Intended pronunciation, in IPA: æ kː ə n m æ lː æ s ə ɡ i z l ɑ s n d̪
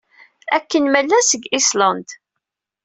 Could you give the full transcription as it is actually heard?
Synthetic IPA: æ kː ə n m æ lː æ s ə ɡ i s l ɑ n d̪